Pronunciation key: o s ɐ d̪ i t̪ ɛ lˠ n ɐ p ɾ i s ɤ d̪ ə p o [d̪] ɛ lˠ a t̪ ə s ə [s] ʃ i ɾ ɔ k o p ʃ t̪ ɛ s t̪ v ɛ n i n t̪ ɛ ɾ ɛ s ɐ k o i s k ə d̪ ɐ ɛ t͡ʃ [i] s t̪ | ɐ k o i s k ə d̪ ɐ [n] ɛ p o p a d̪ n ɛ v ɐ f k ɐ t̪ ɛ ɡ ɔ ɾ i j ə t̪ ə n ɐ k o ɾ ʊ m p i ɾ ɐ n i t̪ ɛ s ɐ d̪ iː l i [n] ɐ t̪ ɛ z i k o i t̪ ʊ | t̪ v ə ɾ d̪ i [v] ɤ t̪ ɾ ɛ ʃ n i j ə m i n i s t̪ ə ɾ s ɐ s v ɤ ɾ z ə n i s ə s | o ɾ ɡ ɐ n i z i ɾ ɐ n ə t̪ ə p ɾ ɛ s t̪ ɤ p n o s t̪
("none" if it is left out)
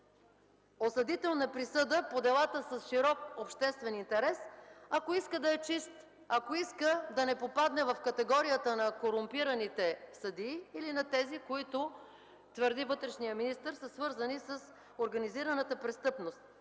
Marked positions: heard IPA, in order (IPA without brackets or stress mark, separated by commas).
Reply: d̪, s, i, n, n, v